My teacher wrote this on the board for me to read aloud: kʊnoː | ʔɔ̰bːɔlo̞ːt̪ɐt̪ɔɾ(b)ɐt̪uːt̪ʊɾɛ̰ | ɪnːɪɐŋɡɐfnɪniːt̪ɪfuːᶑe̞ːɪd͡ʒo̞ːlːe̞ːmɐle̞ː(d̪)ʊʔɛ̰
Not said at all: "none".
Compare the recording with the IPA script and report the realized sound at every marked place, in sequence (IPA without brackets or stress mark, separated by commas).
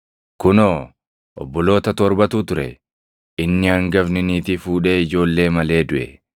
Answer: b, d̪